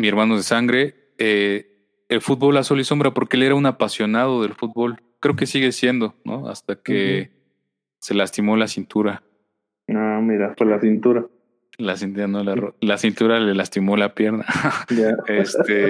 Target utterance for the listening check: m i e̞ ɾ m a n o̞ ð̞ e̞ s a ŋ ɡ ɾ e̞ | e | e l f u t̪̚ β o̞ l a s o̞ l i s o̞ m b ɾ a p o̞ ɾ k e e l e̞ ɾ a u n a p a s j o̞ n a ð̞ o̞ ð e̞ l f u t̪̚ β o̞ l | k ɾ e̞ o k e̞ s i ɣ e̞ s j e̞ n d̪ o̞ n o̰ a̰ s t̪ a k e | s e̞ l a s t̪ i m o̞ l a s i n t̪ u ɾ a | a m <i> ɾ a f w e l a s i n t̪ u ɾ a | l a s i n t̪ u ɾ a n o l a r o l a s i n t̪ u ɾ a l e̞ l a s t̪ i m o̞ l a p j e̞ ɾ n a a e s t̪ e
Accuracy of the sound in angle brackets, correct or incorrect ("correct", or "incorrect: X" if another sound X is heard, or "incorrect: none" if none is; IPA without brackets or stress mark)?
correct